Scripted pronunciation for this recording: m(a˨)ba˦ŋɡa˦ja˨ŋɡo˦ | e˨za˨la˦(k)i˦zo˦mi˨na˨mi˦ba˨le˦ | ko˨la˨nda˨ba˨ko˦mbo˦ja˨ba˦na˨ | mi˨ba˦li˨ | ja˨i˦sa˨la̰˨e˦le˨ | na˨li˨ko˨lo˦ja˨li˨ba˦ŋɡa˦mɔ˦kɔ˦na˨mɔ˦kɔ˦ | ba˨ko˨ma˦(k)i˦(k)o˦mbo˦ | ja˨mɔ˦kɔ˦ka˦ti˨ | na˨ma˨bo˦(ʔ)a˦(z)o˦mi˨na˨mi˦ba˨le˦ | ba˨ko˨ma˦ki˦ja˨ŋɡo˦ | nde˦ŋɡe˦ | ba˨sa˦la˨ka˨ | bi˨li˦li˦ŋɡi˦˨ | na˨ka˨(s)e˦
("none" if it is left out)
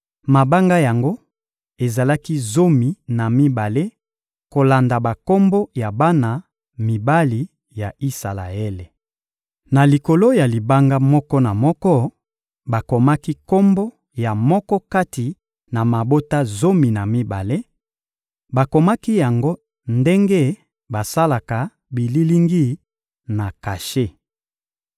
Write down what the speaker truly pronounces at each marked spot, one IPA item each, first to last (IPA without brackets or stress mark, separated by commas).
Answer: a˨, k, k, k, t, z, ʃ